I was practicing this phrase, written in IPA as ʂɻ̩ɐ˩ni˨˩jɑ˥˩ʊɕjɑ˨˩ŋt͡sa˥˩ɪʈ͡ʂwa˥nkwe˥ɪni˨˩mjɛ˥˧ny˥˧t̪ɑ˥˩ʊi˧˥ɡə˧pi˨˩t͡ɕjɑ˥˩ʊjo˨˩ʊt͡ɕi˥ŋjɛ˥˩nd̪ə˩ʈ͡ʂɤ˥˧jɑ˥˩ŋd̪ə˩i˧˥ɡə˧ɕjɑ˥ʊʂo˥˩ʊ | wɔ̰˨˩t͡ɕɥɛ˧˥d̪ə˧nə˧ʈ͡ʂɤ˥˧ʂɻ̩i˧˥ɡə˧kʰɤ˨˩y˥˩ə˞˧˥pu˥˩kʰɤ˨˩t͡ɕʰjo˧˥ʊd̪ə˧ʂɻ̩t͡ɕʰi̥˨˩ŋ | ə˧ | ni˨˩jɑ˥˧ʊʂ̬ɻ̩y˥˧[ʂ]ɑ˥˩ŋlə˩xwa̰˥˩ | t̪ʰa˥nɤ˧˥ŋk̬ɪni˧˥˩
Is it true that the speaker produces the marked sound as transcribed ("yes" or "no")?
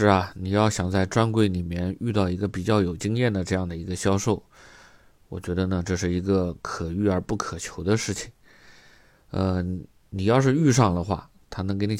yes